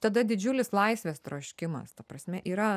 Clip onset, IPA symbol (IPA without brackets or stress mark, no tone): t̪